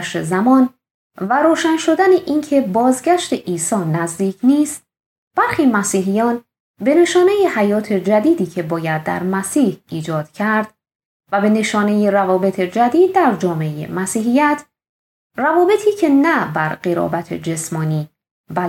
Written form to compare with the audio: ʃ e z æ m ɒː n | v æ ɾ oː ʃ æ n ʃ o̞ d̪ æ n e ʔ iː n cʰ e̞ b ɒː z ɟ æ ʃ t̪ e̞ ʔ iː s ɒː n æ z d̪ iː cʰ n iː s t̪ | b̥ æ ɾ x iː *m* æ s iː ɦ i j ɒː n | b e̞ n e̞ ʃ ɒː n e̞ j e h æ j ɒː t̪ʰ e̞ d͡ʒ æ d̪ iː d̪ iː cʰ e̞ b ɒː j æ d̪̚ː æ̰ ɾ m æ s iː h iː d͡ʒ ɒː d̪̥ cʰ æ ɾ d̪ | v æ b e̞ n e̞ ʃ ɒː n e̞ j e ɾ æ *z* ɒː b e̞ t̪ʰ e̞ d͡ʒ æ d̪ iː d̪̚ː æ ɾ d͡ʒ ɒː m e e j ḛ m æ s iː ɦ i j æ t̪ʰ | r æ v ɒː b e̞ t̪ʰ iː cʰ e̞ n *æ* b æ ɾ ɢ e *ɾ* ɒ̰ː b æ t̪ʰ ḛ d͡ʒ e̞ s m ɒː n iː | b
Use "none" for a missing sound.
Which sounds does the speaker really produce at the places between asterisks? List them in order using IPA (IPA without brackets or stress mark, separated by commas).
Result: m, v, æ, ɾ